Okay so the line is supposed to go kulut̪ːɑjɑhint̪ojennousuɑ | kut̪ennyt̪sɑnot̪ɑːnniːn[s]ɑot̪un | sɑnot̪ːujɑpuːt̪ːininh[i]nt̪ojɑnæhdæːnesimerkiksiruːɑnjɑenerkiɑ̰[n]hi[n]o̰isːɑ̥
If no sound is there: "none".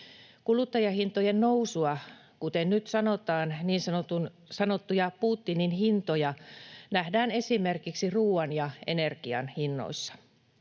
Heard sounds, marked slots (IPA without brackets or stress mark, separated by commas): s, i, n, nː